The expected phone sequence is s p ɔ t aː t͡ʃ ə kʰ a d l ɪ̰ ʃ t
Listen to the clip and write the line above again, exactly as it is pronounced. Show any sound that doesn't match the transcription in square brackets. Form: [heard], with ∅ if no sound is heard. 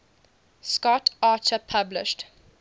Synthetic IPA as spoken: s [k] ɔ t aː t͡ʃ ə [pʰ] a [b] l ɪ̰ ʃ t

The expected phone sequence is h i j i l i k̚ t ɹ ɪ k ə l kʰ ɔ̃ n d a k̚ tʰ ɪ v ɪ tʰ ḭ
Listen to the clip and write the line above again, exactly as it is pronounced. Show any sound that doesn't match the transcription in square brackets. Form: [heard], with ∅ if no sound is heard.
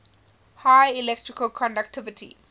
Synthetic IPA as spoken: h [a] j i l [ɛ] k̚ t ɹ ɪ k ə l kʰ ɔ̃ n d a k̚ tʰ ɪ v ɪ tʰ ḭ

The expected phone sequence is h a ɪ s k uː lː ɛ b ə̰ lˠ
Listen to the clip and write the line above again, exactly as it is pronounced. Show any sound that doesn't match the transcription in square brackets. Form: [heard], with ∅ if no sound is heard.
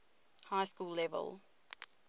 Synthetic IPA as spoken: h a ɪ s k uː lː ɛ [v] ə̰ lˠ

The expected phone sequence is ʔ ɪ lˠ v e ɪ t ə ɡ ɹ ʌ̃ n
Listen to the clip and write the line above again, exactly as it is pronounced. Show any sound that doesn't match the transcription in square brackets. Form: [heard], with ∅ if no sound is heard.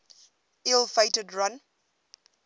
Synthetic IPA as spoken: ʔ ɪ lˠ [f] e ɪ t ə [d] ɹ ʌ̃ n

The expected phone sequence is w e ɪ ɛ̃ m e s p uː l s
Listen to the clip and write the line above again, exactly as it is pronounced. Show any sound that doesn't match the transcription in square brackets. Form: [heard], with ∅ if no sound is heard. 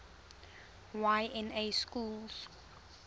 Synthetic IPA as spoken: w [a] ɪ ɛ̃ [n] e s [k] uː l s

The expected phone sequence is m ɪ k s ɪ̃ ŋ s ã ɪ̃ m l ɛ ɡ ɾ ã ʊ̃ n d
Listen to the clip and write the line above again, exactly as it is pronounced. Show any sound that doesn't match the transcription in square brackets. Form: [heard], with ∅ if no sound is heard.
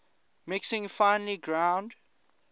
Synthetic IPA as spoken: m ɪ k s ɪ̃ ŋ [f] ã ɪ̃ [n] l [i] ɡ [ɹ] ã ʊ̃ n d

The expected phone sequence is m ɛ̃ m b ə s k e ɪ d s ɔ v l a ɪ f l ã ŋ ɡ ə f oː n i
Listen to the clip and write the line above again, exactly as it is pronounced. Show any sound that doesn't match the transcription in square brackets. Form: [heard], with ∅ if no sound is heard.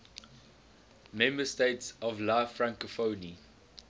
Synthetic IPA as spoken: m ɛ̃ m b ə s [t] e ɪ [t] s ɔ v l a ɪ f [ɹ] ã ŋ [k] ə f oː n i

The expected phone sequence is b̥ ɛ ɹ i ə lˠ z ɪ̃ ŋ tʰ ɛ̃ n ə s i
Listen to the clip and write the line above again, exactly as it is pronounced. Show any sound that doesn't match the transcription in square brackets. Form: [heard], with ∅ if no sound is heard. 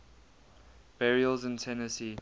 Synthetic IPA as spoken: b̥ ɛ ɹ i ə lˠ z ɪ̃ [n] tʰ [ɛ] n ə s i

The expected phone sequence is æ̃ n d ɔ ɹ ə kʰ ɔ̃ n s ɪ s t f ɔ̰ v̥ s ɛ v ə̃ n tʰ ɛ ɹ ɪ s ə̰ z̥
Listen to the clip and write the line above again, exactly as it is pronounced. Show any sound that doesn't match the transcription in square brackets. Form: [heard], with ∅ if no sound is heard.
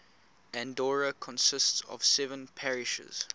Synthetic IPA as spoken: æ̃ n d ɔ ɹ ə kʰ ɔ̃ n s ɪ s t [s] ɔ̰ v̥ s ɛ v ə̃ n [pʰ] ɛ ɹ ɪ [ʃ] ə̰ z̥

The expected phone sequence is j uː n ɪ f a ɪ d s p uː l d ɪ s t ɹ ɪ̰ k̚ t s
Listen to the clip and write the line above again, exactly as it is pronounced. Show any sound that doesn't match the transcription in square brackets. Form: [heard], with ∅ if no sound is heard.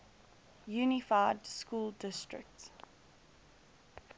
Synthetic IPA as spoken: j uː n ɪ f a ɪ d s [k] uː l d ɪ s t ɹ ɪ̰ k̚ t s

